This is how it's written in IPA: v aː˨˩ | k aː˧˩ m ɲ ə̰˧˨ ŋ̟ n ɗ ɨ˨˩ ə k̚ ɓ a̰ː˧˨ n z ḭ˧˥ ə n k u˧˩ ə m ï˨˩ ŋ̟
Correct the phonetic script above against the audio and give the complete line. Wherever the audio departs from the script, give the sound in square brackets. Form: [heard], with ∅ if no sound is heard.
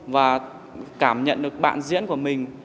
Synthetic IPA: v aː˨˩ | k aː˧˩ m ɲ ə̰˧˨ [∅] n ɗ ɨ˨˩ ə k̚ ɓ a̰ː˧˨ n z ḭ˧˥ ə n k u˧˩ ə m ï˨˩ ŋ̟